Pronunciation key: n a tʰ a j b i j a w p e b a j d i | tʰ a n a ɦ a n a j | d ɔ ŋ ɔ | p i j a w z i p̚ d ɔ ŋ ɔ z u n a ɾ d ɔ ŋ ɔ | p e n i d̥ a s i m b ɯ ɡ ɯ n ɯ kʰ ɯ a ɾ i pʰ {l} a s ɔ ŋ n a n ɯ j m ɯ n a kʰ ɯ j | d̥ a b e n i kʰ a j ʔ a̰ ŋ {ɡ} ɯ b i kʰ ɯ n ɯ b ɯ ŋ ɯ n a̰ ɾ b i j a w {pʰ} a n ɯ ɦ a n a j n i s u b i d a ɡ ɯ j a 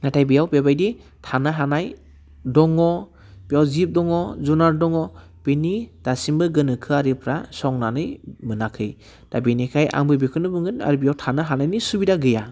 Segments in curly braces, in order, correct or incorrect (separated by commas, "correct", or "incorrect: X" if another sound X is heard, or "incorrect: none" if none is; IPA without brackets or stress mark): incorrect: ɾ, incorrect: b, incorrect: tʰ